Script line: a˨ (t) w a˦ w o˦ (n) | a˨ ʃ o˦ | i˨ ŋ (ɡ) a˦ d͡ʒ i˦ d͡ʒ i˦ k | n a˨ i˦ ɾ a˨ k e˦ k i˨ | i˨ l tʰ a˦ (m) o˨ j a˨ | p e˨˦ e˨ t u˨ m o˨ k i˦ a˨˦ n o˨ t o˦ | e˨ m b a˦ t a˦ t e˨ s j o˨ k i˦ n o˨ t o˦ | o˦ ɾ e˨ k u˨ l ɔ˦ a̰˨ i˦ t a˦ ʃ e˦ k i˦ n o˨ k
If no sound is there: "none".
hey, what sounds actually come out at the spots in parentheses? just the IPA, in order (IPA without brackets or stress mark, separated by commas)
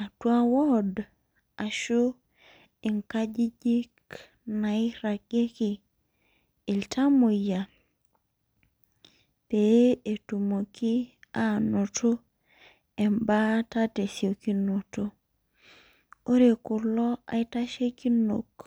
t, d, k, m